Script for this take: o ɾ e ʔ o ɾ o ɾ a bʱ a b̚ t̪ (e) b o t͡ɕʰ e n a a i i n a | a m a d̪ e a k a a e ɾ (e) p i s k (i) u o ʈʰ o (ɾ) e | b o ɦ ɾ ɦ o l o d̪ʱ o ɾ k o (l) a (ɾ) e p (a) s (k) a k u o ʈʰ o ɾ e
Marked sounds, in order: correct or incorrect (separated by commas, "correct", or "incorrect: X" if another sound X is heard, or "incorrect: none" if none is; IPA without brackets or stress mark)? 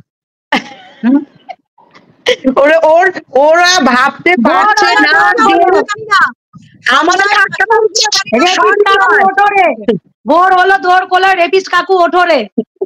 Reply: correct, correct, incorrect: a, correct, correct, correct, incorrect: i, correct